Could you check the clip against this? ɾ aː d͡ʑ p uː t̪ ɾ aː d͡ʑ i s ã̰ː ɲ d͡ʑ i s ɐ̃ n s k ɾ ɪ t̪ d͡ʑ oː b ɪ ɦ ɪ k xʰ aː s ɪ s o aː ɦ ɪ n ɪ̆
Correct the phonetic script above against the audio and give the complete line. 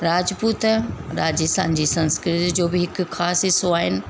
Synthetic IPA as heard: ɾ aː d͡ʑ p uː t̪ ɾ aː d͡ʑ i s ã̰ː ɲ d͡ʑ i s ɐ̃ n s k ɾ ɪ t̪ d͡ʑ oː b ɪ ɦ ɪ k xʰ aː s ɪ s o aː ɦ ɪ n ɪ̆